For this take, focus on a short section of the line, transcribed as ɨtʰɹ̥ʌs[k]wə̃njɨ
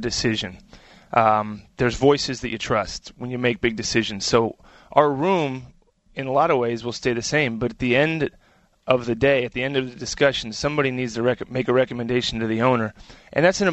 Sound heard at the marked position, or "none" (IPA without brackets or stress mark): t